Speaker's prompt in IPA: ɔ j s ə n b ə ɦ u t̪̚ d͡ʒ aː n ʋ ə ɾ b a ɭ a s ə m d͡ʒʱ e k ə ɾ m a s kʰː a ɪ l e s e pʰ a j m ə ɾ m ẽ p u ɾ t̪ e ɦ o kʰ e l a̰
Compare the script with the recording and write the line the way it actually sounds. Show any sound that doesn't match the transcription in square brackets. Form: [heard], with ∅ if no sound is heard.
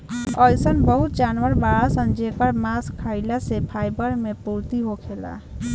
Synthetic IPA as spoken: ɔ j s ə n b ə ɦ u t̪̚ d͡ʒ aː n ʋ ə ɾ b a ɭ a s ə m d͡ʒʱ e k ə ɾ m a s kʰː a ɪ l [a] s e pʰ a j [b] ə ɾ m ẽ p u ɾ t̪ [i] ɦ o kʰ e l a̰